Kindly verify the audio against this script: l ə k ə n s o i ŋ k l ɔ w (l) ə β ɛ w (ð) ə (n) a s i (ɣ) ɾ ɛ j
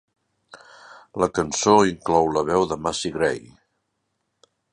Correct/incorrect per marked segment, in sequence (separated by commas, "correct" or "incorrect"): correct, correct, incorrect, correct